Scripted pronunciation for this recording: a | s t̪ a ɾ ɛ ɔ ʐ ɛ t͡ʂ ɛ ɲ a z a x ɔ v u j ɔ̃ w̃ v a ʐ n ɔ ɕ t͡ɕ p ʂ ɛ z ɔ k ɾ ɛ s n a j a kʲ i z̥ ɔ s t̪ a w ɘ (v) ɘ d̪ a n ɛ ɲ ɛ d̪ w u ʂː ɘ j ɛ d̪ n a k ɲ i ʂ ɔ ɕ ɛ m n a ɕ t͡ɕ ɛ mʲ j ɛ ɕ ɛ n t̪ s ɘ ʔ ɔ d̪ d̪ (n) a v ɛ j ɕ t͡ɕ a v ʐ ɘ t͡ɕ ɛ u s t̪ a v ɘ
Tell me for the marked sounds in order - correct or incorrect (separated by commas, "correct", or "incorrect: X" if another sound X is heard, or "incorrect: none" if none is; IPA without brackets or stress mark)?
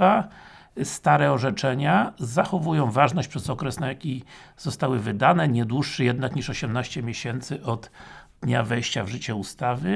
correct, incorrect: ɲ